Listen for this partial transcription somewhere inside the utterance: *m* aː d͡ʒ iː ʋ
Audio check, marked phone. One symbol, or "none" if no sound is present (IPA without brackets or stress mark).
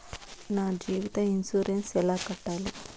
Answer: n